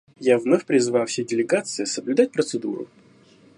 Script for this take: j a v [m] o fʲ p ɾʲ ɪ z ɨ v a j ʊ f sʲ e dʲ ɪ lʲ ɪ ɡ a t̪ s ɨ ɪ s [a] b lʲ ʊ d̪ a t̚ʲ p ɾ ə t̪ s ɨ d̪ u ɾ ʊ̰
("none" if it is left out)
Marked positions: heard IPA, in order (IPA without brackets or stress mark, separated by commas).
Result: n, ə